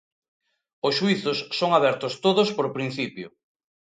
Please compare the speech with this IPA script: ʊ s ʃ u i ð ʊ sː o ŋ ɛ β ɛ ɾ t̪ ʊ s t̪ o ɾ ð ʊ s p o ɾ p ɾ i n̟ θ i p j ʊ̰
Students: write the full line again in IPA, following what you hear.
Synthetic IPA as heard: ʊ s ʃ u i θ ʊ sː o ŋ a β ɛ ɾ t̪ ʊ s t̪ o ð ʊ s p o ɾ p ɾ i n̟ θ i p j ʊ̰